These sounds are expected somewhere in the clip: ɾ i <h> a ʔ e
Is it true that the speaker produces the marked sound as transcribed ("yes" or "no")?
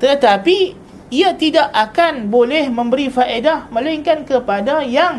no